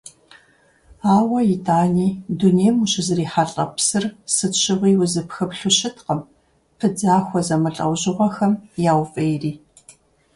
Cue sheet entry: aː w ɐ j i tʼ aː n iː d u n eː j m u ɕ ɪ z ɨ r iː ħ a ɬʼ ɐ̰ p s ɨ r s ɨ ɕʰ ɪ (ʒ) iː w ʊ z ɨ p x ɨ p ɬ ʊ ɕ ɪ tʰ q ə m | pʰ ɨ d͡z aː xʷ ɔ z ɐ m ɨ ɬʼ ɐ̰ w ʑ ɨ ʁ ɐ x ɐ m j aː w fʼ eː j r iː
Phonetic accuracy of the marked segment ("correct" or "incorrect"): incorrect